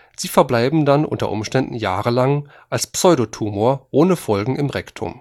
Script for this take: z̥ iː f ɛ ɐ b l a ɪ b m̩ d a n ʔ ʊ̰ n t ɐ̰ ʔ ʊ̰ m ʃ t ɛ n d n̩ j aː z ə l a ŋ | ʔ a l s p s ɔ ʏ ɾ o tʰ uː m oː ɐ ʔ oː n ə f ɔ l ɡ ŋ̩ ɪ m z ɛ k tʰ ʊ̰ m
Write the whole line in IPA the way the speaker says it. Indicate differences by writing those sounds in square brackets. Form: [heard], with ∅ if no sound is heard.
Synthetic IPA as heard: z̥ iː f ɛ ɐ b l a ɪ b m̩ d a n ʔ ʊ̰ n t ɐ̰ ʔ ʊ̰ m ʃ t ɛ n d n̩ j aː [ʁ] ə l a ŋ | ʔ a l s p s ɔ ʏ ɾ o tʰ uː m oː ɐ ʔ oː n ə f ɔ l ɡ ŋ̩ ɪ m [ʁ] ɛ k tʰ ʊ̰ m